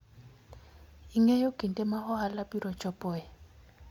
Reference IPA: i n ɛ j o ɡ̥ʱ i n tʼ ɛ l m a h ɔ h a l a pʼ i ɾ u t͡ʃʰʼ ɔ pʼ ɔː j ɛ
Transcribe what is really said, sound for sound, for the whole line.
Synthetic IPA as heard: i ŋ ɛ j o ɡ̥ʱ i n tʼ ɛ m a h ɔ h a l a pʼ i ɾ ɔ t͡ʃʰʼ ɔ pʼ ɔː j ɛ